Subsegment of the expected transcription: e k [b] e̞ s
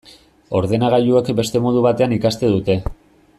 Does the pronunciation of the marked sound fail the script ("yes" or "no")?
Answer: no